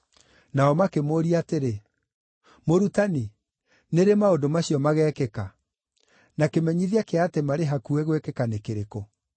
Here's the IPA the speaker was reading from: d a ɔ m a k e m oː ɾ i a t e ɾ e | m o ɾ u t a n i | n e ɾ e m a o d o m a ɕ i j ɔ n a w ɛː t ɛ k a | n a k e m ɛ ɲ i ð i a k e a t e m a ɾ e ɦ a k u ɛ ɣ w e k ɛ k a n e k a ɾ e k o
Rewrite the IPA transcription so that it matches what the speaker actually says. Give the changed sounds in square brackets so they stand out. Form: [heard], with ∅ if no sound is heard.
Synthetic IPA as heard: [n] a ɔ m a k e m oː ɾ i a t e ɾ e | m o ɾ u t a n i | n e ɾ e m a o d o m a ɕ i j ɔ [m] a [ɣ] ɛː [k] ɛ k a | n a k e m ɛ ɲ i ð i a k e a t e m a ɾ e ɦ a k u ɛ ɣ w e k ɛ k a n e k [e] ɾ e k o

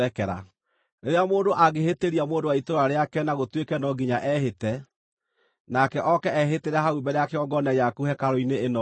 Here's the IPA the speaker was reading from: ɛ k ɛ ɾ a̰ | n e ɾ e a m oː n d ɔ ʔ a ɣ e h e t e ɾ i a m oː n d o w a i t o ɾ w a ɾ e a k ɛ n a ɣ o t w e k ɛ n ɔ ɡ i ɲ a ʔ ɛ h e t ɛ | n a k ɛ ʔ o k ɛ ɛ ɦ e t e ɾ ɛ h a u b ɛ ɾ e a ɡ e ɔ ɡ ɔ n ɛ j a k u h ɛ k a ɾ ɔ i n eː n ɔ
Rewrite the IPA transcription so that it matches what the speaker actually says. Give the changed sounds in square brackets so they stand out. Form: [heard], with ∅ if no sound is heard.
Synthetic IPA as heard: ɛ k ɛ ɾ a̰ | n e ɾ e a m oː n d [o] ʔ a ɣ e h e t e ɾ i a m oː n d o w a i t o ɾ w a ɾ e a k ɛ n a ɣ o t w e k ɛ n ɔ ɡ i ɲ a ʔ ɛ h e t ɛ | n a k ɛ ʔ [ɔ] k ɛ ɛ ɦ e t e ɾ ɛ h a u b ɛ ɾ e a [k] e ɔ ɡ ɔ n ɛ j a k u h ɛ k a ɾ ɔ i n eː n ɔ

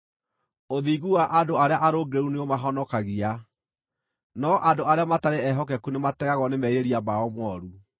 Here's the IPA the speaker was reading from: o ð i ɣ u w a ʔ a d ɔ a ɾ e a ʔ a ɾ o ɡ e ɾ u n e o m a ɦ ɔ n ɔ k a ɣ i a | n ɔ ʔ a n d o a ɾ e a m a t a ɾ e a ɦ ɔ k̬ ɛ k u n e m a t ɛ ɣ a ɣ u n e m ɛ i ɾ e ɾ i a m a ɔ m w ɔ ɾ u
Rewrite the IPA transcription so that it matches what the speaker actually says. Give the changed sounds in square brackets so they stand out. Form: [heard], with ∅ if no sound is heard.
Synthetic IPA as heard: o ð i ɣ u w a ʔ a d [o] a ɾ e a ʔ a ɾ o ɡ e ɾ u n e o m a ɦ ɔ n ɔ k a ɣ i a | n ɔ ʔ a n d o a ɾ e a m a t a ɾ e [ɛ] ɦ ɔ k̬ ɛ k u n e m a t ɛ ɣ a ɣ [ɔ] n e m ɛ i ɾ e ɾ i a m a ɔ m w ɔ ɾ u

